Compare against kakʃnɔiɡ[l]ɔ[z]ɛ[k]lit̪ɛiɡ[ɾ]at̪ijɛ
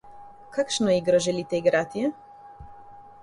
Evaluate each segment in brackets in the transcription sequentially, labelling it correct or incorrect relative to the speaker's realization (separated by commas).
incorrect, incorrect, incorrect, correct